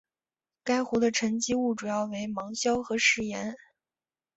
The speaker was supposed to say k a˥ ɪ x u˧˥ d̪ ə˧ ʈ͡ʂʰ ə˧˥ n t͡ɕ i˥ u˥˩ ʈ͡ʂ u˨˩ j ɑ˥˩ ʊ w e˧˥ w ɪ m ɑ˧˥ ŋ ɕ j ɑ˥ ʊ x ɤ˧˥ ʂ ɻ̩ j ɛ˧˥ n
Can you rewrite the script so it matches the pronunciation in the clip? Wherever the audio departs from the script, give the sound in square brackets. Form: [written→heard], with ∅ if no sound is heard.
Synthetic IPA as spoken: k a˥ ɪ x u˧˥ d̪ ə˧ ʈ͡ʂʰ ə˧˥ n t͡ɕ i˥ u˥˩ ʈ͡ʂ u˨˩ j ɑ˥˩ ʊ w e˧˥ [w→∅] ɪ m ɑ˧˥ ŋ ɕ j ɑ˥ ʊ x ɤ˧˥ ʂ ɻ̩ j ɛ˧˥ n